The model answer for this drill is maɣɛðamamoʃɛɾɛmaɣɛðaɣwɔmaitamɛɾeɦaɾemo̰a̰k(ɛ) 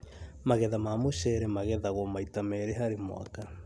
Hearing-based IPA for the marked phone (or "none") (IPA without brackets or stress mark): a